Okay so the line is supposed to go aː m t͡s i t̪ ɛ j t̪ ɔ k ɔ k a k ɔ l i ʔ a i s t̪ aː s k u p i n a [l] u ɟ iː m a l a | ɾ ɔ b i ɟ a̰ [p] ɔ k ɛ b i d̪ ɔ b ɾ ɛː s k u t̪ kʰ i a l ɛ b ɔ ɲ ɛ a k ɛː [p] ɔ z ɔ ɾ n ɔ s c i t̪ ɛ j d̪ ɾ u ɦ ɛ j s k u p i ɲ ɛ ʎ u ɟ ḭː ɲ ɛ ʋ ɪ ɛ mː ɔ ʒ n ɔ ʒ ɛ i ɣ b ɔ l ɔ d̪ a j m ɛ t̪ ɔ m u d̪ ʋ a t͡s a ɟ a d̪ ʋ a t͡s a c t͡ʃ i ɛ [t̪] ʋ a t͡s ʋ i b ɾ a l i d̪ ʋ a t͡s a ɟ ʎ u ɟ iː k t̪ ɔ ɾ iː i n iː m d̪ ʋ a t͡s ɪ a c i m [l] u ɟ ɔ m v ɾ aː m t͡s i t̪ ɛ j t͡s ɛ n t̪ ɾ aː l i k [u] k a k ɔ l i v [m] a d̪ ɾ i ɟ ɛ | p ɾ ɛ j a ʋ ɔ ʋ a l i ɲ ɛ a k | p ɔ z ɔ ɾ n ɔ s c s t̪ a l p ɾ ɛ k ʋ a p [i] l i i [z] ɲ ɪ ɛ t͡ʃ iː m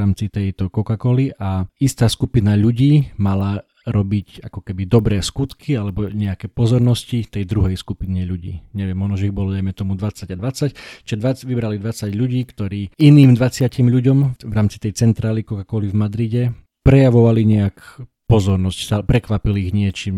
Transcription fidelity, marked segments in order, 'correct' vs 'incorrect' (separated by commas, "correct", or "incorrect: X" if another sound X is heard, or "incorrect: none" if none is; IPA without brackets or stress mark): incorrect: ʎ, incorrect: k, correct, incorrect: d̪, incorrect: ʎ, incorrect: ɔ, correct, correct, incorrect: ɣ